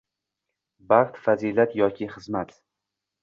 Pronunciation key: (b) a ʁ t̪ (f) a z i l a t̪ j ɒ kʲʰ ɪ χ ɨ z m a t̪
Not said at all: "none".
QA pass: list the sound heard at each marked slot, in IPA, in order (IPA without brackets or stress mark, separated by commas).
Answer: b, f